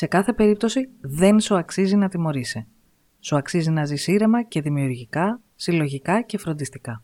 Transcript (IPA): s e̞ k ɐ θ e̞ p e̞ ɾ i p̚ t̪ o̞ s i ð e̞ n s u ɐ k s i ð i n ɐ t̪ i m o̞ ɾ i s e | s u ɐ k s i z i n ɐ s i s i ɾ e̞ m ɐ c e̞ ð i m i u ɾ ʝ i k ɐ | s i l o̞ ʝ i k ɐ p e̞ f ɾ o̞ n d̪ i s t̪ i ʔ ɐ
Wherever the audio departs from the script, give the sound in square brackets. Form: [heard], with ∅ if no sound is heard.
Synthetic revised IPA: s e̞ k ɐ θ e̞ p e̞ ɾ i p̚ t̪ o̞ s i ð e̞ n s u ɐ k s i [z] i n ɐ t̪ i m o̞ ɾ i s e | s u ɐ k s i z i n ɐ [z] i s i ɾ e̞ m ɐ c e̞ ð i m i u ɾ ʝ i k ɐ | s i l o̞ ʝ i k ɐ [c] e̞ f ɾ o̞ n d̪ i s t̪ i [k] ɐ